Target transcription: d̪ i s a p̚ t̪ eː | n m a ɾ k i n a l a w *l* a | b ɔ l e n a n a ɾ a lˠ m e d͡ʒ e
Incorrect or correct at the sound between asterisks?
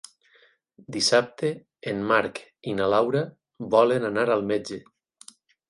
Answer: incorrect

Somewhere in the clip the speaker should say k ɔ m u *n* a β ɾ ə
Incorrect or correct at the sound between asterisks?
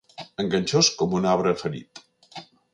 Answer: correct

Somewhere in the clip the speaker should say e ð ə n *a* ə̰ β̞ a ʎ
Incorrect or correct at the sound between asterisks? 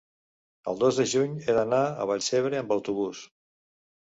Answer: correct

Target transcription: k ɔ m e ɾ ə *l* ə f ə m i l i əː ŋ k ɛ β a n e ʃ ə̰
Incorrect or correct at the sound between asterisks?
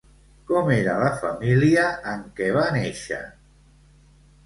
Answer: correct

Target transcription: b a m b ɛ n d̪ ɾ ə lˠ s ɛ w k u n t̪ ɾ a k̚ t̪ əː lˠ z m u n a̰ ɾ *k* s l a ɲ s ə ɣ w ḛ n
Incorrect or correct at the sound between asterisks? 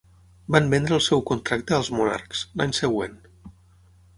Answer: correct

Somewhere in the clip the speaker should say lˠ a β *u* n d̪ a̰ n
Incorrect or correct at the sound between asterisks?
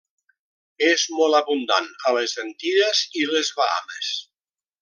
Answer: correct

